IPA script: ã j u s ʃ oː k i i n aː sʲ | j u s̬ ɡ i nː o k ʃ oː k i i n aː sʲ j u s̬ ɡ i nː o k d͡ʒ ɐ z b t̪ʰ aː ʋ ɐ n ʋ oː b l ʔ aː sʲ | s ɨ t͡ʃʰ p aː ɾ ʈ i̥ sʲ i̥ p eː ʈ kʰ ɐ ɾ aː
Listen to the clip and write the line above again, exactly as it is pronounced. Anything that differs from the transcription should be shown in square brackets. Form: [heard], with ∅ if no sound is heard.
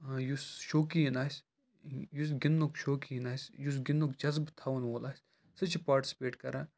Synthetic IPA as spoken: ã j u s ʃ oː k i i n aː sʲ | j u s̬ ɡ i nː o k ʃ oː k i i n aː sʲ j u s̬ ɡ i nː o k d͡ʒ ɐ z b t̪ʰ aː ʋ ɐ n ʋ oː [∅] l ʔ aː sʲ | s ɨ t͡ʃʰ p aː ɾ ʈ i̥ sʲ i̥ p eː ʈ [k] ɐ ɾ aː

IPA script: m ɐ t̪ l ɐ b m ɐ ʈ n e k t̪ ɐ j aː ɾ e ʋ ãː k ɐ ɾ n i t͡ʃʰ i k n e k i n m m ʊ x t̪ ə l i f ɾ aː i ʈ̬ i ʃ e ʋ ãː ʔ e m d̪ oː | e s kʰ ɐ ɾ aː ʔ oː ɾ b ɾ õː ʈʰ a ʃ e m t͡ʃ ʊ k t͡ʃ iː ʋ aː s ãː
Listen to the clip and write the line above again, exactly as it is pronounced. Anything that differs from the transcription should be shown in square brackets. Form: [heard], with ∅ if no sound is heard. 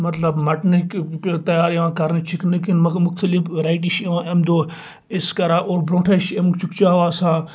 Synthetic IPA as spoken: m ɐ t̪ l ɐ b m ɐ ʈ n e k t̪ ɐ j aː ɾ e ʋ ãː k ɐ ɾ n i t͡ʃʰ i k n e k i n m m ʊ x t̪ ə l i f ɾ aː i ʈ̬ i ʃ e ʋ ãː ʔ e m d̪ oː | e s [k] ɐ ɾ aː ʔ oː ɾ b ɾ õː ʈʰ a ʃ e m t͡ʃ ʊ k t͡ʃ [aː] ʋ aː s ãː

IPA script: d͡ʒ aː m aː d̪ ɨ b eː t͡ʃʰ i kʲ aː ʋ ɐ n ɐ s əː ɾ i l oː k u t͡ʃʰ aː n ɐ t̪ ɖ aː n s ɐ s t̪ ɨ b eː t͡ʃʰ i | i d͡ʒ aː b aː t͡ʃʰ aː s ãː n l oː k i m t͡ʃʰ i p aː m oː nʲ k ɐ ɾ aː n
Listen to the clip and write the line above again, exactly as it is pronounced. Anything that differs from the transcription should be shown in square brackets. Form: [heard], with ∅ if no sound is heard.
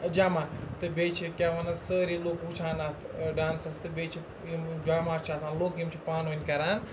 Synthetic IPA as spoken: d͡ʒ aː m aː [t̪] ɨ b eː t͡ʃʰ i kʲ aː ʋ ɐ n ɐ s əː ɾ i l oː k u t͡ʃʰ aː n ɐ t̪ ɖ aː n s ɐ s t̪ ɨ b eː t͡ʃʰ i | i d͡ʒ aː [m] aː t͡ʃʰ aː s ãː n l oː k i m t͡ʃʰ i p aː [n] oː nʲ k ɐ ɾ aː n

